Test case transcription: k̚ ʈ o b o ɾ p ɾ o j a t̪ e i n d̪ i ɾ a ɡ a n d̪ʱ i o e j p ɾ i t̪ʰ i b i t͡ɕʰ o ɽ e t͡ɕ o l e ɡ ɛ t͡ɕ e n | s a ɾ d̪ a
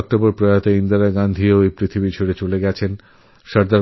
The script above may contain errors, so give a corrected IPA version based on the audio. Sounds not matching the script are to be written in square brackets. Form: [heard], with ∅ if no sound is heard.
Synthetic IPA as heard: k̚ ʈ o b o ɾ p ɾ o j a t̪ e i n d̪ [a] ɾ a ɡ a n d̪ʱ i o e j p ɾ i t̪ʰ i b i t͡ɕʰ o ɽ e t͡ɕ o l e ɡ ɛ [t͡ɕʰ] e n | [ʃ] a ɾ d̪ a